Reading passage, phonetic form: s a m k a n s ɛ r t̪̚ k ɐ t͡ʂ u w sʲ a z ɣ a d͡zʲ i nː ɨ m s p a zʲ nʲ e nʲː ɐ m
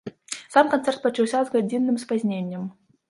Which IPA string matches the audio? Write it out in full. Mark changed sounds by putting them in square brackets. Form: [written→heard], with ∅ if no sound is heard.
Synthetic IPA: s a m k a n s ɛ r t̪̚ [k→p] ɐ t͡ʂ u w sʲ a z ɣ a d͡zʲ i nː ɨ m s p a zʲ nʲ e nʲː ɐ m